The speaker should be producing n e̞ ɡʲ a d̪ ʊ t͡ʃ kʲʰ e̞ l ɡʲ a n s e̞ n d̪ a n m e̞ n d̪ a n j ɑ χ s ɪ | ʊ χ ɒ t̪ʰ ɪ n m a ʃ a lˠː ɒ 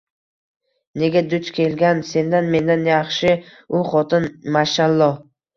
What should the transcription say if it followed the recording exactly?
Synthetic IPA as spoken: n e̞ ɡʲ a d̪ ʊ t͡ʃ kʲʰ e̞ l ɡʲ a n s e̞ n d̪ a n m e̞ n d̪ a n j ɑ χ ʃ ɪ | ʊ χ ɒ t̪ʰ ɪ n m a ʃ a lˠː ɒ